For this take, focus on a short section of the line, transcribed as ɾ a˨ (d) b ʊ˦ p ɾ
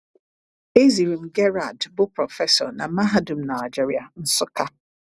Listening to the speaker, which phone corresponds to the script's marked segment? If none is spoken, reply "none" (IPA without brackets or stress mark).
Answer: d